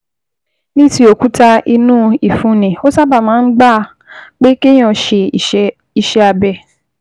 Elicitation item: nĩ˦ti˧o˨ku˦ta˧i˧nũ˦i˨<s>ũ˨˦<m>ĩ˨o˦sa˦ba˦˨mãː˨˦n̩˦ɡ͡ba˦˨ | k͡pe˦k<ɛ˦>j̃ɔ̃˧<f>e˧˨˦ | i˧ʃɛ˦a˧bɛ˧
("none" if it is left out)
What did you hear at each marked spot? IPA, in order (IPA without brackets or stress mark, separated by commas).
f, n, e˦, ʃ